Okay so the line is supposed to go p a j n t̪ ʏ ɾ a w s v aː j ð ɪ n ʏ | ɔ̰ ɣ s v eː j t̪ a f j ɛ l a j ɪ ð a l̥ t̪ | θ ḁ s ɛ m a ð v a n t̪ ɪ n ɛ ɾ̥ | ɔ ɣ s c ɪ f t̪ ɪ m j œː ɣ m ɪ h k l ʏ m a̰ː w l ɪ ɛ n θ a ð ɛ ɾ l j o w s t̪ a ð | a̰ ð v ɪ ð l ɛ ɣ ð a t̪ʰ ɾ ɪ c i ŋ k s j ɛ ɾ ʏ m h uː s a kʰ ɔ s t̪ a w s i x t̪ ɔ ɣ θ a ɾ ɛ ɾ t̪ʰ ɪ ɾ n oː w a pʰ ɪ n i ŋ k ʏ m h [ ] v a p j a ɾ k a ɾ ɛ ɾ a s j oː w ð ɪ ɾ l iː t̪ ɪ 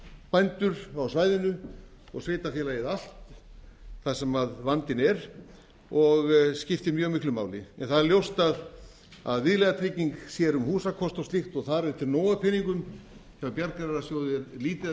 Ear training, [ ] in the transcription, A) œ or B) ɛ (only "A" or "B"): B